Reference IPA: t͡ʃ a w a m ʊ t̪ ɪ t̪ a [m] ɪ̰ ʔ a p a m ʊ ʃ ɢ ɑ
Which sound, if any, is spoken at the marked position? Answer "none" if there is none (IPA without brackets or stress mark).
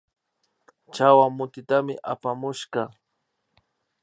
m